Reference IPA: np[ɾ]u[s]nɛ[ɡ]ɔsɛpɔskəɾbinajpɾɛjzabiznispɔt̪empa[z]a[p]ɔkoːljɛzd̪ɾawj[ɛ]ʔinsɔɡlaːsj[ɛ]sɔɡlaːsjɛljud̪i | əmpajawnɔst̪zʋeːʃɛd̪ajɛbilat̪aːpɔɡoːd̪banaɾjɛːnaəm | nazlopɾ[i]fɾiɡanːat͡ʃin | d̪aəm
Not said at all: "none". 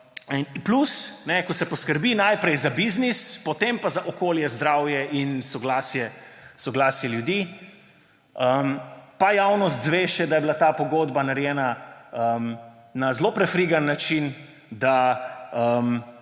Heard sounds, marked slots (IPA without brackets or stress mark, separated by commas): l, s, k, z, ʔ, ɛ, ɛ, ɛ